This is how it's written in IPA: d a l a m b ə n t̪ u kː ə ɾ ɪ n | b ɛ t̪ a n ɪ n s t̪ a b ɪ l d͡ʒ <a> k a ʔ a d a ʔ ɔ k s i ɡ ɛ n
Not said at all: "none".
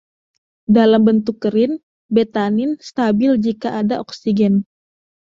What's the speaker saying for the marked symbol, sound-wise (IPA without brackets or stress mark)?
i